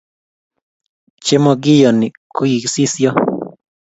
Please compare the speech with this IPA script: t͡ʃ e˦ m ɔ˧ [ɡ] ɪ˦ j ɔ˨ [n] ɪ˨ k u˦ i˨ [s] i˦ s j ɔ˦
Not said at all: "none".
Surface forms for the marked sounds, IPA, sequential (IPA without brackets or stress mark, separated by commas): ɡ, n, s